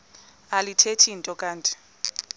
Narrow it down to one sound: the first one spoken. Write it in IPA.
a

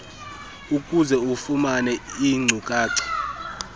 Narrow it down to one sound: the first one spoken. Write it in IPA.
u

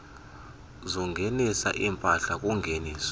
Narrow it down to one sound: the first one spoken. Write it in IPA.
z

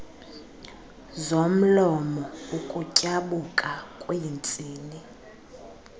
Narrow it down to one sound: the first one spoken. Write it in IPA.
z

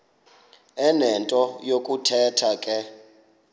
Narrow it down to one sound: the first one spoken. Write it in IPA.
ɛ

